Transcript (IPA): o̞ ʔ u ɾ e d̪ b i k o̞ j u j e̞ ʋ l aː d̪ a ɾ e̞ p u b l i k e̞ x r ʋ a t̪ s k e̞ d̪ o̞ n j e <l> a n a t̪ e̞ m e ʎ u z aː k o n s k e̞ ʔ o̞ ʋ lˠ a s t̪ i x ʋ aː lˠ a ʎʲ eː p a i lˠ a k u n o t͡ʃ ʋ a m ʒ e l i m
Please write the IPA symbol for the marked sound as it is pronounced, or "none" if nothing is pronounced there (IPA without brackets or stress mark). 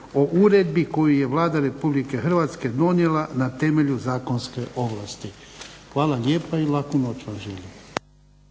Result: l